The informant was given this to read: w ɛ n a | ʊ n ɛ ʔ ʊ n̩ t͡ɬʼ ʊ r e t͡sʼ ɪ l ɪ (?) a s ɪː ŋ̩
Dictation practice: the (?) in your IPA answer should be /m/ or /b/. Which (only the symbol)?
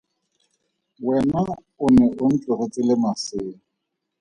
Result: m